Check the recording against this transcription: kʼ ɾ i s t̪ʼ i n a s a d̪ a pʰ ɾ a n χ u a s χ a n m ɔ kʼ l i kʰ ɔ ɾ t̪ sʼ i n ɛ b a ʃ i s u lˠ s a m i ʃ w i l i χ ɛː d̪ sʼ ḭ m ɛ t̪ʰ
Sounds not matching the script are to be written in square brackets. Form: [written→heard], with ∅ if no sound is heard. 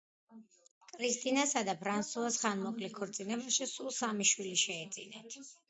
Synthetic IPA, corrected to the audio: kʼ ɾ i s t̪ʼ i n a s a d̪ a pʰ ɾ a n [χ→s] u a s χ a n m ɔ kʼ l i kʰ ɔ ɾ t̪ sʼ i n ɛ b a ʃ i s u lˠ s a m i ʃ w i l i [χ→ʃ] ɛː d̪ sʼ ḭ [m→n] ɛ t̪ʰ